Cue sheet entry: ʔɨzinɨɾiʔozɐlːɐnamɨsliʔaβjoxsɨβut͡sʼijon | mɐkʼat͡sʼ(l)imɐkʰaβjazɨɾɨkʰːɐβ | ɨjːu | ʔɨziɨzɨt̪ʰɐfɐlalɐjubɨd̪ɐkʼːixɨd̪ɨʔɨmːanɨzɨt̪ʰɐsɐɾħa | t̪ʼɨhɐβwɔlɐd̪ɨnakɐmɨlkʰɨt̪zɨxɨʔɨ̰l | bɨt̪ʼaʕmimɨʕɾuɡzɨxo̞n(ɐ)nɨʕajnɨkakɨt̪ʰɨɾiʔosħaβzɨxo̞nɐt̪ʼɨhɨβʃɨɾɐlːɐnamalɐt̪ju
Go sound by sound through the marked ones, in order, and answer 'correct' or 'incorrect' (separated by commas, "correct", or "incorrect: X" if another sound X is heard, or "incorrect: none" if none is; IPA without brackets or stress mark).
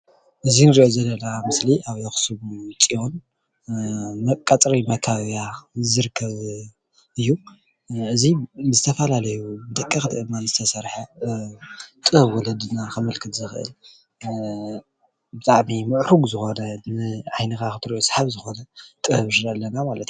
incorrect: ɾ, correct